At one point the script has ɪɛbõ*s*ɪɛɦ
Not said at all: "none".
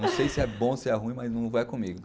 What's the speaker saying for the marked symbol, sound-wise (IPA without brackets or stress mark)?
s